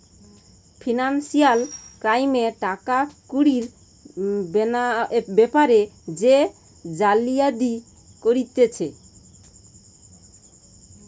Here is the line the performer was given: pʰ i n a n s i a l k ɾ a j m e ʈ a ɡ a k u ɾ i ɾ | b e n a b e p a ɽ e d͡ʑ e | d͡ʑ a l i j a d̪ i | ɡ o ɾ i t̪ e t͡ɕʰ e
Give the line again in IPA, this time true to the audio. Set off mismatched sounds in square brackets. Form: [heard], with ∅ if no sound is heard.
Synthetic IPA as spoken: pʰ i n a n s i a l k ɾ a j m e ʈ a [k] a k u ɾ i ɾ | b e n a b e p a [ɾ] e d͡ʑ e | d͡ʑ a l i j a d̪ i | [k] o ɾ i t̪ e t͡ɕʰ e